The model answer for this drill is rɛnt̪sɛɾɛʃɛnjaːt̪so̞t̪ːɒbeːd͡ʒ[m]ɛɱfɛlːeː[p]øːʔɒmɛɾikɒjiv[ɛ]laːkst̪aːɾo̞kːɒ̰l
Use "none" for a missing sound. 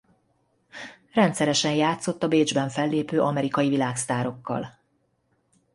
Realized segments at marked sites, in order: b, p, i

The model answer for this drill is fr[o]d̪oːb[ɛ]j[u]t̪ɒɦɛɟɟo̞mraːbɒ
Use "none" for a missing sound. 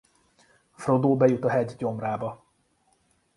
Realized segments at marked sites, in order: o, ɛ, u

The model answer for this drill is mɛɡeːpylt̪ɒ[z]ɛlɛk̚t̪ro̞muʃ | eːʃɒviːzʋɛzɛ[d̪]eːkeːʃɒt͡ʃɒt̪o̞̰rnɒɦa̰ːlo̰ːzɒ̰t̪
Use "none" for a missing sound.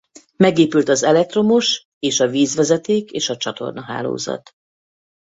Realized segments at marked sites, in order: z, t̪

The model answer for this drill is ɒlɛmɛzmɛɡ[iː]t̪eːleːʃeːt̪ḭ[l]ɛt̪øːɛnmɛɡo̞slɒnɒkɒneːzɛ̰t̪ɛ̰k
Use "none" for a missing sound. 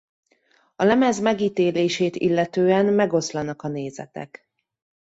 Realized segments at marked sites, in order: iː, lː

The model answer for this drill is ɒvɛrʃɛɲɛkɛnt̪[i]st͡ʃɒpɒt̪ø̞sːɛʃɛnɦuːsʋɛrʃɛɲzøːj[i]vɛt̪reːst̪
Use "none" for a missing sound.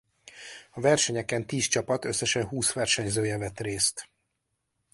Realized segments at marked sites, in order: iː, ɛ

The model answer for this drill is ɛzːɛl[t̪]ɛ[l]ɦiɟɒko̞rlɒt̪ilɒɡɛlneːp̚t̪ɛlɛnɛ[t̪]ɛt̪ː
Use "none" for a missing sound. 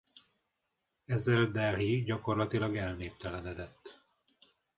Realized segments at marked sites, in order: d̪, l, d̪

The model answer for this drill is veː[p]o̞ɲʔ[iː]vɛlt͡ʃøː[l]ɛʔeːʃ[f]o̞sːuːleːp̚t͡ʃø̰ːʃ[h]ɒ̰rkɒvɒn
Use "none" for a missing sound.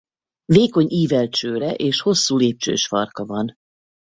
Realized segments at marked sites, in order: k, iː, ɾ, h, f

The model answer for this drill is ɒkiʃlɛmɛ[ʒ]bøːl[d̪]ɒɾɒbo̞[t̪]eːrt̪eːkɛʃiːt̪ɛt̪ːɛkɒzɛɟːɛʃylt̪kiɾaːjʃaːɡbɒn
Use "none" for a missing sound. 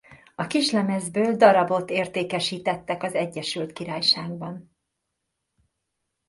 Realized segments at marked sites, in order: z, d̪, t̪

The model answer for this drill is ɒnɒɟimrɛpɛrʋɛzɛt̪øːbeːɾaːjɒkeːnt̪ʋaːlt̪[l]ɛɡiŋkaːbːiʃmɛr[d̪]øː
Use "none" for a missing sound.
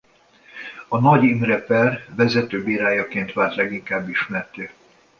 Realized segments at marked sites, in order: l, t̪

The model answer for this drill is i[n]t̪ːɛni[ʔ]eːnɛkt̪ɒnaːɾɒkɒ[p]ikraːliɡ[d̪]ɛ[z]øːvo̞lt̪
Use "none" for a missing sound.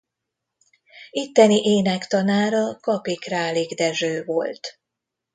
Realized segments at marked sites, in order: none, ʔ, p, d̪, ʒ

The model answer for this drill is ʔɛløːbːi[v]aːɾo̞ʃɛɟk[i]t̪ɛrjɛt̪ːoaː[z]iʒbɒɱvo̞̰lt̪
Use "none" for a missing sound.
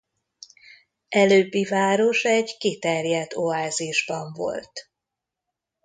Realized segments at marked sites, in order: v, i, z

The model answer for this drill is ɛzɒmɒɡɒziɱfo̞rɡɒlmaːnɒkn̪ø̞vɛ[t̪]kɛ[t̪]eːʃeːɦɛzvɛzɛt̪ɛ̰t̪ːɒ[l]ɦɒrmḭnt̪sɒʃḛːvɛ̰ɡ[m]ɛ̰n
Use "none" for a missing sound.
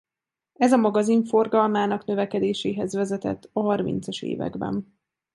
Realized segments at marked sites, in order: none, d̪, none, b

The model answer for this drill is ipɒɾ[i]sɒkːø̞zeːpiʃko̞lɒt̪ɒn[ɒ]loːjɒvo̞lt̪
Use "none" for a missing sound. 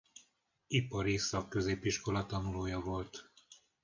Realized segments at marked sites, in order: i, u

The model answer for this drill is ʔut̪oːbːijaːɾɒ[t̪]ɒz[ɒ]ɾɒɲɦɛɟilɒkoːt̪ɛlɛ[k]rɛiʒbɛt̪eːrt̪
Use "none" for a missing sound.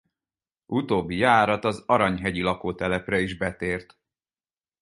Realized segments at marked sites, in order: t̪, ɒ, p

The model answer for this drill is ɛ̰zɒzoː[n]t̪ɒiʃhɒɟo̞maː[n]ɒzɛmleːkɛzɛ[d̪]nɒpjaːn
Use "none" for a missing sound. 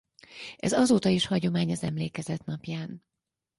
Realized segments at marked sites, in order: none, ɲ, t̪

